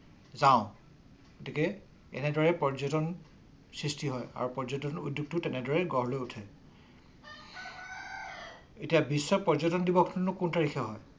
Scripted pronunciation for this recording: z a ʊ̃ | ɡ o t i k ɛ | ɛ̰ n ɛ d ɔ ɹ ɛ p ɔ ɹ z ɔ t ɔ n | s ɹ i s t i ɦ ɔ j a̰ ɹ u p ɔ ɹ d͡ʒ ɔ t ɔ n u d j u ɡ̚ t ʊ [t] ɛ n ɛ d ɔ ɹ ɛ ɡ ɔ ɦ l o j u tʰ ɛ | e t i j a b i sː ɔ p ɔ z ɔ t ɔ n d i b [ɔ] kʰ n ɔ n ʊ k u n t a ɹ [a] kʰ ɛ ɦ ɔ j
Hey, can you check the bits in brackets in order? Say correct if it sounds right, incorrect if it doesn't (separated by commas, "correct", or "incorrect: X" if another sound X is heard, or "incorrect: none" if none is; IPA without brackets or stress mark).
correct, correct, incorrect: i